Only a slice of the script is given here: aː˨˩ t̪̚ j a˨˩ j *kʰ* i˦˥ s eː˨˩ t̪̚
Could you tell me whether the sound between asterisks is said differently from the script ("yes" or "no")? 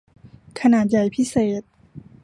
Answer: yes